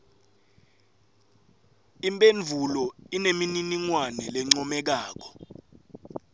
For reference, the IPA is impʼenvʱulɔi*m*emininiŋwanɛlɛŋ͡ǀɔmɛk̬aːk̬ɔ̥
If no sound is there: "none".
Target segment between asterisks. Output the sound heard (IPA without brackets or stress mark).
n